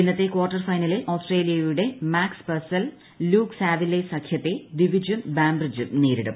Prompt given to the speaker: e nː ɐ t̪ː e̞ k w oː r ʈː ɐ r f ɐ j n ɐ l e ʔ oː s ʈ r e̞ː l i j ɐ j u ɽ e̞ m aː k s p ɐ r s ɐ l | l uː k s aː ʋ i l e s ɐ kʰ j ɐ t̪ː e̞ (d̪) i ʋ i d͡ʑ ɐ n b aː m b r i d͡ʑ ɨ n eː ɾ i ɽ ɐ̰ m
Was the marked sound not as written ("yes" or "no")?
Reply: no